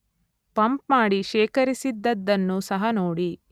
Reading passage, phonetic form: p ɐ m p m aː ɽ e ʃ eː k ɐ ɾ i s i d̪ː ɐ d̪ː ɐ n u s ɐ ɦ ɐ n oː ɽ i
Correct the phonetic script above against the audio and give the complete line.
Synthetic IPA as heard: p ɐ m p m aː ɽ i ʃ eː k ɐ ɾ i s i d̪ː ɐ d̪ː ɐ nː u s ɐ ɦ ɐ n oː ɽ i